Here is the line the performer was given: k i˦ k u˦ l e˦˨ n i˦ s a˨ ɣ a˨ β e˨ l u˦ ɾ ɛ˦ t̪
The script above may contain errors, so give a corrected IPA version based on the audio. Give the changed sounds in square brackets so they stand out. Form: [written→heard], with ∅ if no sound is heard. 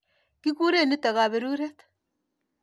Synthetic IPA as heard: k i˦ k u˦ [l→ɾ] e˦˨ n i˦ [s→t] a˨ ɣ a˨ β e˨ [l→ɾ] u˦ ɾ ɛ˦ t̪